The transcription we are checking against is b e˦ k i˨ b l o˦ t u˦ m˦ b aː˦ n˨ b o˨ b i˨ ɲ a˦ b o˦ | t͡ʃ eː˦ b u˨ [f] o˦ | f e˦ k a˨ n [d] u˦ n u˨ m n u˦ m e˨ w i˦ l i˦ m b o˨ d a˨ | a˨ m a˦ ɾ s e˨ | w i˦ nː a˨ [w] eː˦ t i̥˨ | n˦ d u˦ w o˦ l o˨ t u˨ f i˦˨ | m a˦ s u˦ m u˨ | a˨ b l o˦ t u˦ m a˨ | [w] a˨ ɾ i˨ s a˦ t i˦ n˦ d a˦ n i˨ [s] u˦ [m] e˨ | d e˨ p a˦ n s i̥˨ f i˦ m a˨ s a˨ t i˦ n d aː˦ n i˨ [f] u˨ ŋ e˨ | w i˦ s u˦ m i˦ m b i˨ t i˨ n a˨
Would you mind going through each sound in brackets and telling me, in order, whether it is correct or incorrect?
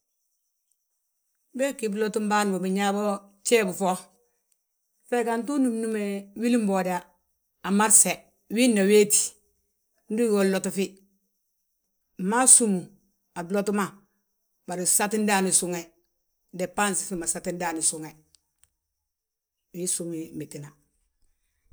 correct, incorrect, correct, incorrect, correct, incorrect, incorrect

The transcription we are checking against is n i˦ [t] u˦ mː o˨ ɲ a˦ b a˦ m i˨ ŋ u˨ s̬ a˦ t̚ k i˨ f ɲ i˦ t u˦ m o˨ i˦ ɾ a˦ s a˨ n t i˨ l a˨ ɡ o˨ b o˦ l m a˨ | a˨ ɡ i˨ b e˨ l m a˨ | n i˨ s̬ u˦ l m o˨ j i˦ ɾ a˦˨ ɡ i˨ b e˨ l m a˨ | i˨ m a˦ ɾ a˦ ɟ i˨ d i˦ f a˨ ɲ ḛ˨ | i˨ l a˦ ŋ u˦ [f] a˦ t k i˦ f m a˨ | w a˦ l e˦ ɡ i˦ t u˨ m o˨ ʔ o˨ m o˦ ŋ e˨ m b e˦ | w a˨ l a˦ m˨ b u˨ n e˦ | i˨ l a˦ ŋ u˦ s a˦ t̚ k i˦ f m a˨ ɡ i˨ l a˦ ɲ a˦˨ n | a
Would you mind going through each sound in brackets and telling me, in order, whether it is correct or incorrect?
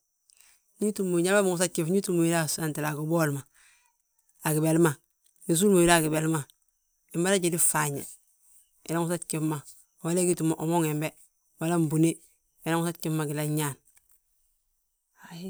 correct, incorrect

